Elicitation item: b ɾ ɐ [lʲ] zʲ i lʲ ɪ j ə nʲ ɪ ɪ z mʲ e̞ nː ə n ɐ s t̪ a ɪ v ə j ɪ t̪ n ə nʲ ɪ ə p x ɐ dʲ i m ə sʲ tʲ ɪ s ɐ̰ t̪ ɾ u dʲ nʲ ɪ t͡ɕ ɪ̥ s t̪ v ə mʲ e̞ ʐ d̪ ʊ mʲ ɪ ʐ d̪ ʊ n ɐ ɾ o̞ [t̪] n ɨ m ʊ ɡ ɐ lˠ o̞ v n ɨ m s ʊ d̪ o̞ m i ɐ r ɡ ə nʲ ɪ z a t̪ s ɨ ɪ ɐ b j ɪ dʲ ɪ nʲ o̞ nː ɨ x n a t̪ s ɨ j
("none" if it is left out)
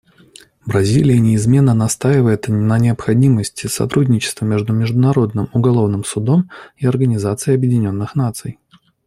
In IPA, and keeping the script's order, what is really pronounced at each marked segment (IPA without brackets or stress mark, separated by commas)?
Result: none, d̪